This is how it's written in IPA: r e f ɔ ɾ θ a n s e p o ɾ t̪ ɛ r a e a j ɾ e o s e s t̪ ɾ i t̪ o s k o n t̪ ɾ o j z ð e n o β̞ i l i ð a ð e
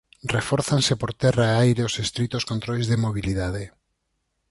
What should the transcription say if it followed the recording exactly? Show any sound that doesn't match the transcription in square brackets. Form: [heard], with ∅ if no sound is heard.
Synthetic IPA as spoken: r e f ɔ ɾ θ a n s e p o ɾ t̪ ɛ r a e a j ɾ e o s e s t̪ ɾ i t̪ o s k o n t̪ ɾ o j z ð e [m] o β̞ i l i ð a ð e